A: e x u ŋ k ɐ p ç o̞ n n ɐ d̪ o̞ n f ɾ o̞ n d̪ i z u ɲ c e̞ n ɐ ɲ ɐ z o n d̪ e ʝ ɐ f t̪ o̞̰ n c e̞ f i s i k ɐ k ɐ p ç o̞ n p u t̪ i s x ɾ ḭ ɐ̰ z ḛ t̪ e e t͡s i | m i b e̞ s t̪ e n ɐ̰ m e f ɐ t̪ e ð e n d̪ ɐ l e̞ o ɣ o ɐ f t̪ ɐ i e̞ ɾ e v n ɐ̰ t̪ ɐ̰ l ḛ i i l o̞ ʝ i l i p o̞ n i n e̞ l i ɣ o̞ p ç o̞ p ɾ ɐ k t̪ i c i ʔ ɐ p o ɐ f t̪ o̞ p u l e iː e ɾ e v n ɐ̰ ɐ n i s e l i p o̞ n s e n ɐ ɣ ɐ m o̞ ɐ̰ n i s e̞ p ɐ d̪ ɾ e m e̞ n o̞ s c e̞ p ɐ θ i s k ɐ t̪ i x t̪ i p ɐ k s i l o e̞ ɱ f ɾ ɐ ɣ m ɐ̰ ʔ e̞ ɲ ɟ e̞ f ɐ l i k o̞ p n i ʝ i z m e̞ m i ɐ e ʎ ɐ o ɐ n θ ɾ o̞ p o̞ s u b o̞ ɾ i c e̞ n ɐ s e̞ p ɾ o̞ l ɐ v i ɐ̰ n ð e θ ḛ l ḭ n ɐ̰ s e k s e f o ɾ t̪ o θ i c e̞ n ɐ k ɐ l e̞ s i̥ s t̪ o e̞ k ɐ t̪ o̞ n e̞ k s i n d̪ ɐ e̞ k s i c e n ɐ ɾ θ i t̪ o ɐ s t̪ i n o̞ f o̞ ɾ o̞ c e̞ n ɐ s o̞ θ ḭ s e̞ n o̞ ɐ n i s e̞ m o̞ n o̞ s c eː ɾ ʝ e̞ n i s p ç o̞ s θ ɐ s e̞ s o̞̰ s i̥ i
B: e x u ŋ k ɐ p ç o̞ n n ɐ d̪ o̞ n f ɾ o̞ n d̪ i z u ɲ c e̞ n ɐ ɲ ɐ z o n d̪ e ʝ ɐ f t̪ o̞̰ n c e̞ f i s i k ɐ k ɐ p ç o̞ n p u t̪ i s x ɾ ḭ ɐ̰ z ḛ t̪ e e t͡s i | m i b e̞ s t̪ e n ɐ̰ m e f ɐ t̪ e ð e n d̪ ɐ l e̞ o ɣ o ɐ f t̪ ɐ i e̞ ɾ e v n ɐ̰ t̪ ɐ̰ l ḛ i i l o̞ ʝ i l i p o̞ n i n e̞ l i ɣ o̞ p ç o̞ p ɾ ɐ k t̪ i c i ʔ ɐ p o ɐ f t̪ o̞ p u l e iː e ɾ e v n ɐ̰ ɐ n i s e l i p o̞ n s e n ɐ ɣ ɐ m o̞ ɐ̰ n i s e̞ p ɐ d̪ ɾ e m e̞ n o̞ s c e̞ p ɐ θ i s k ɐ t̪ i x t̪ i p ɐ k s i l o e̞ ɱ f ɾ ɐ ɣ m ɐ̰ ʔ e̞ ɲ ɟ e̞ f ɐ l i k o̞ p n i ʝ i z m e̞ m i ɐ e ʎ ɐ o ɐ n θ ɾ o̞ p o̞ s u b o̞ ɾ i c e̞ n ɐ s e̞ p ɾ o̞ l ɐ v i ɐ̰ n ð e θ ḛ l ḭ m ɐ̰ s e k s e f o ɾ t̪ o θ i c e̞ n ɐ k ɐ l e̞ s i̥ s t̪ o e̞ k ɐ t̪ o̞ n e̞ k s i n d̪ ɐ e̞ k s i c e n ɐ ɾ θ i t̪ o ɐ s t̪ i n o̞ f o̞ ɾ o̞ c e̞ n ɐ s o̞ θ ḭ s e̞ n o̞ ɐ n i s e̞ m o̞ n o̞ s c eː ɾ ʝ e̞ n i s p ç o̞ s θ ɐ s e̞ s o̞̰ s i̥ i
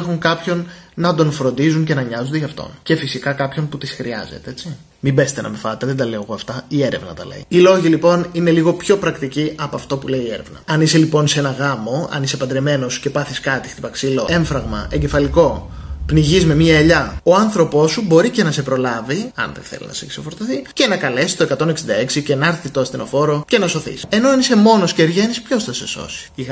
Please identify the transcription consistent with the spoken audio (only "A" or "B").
A